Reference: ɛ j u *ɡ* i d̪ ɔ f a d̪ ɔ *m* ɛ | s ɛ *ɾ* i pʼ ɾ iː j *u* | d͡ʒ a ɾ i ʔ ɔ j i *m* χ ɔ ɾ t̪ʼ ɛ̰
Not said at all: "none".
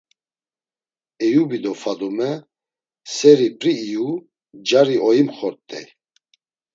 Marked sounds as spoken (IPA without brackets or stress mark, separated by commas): b, m, ɾ, u, m